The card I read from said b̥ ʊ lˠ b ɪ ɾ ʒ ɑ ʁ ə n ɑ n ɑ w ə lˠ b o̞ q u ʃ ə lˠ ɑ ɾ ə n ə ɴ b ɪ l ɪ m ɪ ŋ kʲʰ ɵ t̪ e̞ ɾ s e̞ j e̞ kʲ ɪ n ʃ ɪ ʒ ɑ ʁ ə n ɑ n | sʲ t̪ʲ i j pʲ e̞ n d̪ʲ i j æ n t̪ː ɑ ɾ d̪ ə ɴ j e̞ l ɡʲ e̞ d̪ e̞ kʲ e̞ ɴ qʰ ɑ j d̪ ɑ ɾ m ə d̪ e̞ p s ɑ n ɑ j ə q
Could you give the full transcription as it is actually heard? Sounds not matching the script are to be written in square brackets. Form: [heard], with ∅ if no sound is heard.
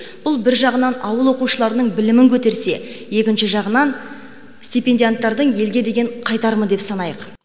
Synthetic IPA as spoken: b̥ ʊ lˠ b ɪ ɾ ʒ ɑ ʁ ə n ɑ n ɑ w ə lˠ [w] o̞ q u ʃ ə lˠ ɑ ɾ ə n ə ɴ b ɪ l ɪ m ɪ ŋ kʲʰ ɵ t̪ e̞ ɾ s e̞ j e̞ kʲ ɪ n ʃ ɪ ʒ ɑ ʁ ə n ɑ n | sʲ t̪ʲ i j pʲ e̞ n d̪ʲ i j [a] n t̪ː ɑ ɾ d̪ ə ɴ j e̞ l ɡʲ e̞ d̪ e̞ [ɡʲ] e̞ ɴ qʰ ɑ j [t̪] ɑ ɾ m ə d̪ e̞ p s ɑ n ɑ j ə q